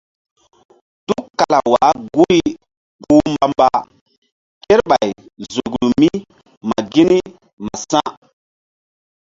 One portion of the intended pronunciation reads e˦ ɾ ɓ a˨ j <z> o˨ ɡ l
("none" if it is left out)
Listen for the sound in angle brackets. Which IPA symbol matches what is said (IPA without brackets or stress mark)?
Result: z